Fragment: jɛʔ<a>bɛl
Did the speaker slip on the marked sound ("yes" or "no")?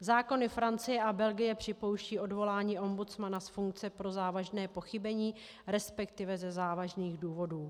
no